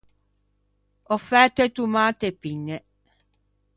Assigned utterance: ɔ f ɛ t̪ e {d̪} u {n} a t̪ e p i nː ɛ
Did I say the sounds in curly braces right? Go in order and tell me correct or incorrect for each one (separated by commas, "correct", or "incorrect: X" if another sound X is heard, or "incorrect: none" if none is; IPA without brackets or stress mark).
incorrect: t̪, incorrect: m